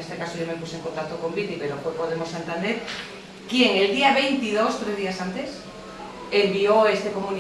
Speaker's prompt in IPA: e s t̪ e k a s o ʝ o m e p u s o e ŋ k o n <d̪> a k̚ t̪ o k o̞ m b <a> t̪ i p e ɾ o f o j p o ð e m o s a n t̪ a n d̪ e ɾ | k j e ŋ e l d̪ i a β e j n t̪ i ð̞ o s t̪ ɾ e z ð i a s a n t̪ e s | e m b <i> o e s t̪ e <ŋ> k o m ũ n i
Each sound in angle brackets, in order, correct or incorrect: incorrect, incorrect, correct, incorrect

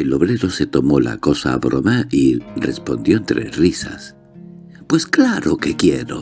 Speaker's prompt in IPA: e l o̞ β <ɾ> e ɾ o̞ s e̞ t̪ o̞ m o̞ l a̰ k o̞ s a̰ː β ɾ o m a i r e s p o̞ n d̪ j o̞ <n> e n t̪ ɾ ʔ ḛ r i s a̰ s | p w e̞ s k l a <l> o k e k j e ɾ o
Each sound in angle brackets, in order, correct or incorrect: correct, incorrect, incorrect

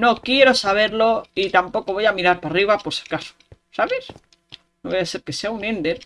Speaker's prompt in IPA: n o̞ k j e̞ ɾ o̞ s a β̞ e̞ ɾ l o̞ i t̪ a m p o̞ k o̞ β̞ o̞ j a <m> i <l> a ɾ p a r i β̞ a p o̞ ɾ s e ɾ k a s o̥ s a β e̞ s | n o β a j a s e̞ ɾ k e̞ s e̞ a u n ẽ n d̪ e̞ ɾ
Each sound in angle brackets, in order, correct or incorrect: correct, incorrect

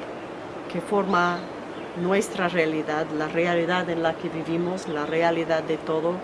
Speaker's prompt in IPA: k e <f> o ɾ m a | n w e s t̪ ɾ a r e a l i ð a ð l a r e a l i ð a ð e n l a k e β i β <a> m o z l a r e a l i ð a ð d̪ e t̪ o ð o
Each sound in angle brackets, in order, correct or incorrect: correct, incorrect

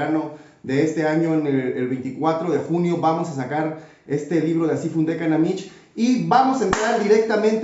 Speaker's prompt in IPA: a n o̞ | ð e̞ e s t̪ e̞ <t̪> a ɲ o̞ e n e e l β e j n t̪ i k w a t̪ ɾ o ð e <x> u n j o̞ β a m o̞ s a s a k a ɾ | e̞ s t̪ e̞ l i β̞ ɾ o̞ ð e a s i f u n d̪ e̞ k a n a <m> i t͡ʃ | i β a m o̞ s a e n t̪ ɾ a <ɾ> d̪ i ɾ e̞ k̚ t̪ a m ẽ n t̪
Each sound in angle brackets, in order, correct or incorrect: incorrect, correct, correct, correct

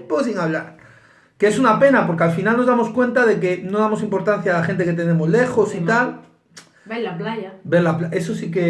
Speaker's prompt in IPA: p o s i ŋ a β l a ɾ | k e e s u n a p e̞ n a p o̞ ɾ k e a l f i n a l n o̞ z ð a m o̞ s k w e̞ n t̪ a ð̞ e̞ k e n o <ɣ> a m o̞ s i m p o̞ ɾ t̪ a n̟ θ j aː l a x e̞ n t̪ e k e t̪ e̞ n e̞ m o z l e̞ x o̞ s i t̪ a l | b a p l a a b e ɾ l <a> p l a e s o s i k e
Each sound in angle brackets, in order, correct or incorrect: incorrect, correct

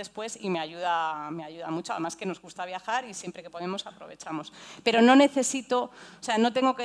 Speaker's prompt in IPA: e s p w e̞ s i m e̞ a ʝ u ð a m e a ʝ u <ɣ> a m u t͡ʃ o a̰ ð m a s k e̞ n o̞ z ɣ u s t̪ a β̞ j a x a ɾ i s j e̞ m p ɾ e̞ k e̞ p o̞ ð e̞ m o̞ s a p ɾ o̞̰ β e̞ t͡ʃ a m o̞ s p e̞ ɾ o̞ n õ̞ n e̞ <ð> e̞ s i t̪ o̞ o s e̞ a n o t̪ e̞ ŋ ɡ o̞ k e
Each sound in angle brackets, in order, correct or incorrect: incorrect, incorrect

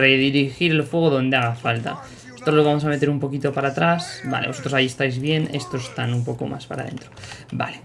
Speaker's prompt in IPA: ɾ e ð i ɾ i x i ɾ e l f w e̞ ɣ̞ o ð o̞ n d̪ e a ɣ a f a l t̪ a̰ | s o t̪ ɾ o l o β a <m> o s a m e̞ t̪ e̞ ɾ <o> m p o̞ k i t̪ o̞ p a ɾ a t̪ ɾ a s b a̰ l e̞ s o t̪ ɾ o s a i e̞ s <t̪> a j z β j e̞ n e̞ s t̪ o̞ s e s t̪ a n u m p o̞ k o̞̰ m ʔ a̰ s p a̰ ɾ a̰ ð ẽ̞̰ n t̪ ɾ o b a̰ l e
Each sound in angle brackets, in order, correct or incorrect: correct, incorrect, correct

